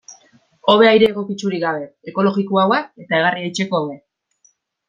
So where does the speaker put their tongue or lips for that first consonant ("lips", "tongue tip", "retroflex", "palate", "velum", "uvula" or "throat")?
lips